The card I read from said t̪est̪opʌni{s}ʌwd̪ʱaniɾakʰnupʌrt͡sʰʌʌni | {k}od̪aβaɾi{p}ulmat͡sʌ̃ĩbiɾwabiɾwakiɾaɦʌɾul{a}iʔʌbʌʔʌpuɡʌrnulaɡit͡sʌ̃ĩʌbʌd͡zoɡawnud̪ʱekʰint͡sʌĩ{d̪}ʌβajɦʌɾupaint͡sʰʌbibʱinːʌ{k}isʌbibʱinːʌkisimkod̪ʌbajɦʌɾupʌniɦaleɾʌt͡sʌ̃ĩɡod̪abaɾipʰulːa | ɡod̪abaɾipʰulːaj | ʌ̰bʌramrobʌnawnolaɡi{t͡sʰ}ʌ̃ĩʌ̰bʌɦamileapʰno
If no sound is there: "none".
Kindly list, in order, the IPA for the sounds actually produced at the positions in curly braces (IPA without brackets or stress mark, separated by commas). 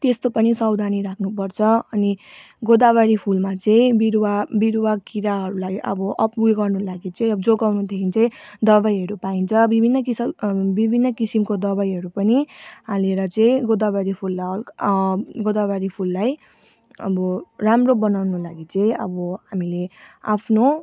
s, ɡ, pʰ, a, d̪, k, t͡s